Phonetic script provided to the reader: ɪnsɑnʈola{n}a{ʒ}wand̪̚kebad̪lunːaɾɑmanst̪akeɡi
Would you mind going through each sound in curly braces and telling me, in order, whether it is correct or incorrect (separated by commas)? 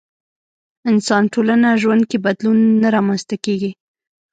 correct, correct